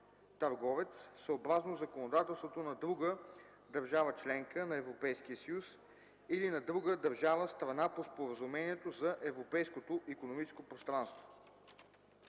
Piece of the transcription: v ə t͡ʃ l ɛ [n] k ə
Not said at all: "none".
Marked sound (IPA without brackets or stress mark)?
ŋ